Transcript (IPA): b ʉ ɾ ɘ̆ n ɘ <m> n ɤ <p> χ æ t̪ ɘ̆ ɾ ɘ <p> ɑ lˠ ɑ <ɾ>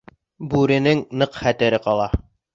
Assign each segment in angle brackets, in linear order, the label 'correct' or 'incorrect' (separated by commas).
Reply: incorrect, incorrect, incorrect, incorrect